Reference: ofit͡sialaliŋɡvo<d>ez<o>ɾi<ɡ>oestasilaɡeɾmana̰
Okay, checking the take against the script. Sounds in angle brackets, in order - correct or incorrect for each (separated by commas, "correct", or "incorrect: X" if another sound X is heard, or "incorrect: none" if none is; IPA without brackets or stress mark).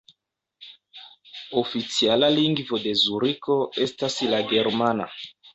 correct, incorrect: u, incorrect: k